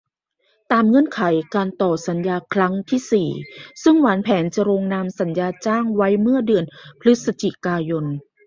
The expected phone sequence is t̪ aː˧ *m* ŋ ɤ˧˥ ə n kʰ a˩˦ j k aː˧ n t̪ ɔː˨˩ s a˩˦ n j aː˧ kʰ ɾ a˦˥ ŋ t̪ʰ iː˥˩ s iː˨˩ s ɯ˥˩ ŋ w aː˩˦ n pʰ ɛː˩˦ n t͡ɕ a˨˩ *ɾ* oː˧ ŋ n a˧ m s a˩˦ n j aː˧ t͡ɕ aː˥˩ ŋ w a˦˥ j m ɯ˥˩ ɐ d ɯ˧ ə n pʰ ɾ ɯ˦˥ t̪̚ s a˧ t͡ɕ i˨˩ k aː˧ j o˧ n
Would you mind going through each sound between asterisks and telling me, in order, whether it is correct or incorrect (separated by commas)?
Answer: correct, correct